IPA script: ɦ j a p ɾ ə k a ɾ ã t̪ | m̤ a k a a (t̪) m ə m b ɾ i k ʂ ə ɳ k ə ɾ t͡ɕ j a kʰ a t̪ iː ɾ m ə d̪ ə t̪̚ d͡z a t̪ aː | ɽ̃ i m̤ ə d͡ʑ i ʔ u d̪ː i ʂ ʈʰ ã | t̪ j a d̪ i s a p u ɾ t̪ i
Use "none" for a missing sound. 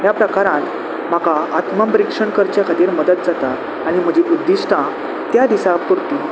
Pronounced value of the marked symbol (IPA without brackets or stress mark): t̪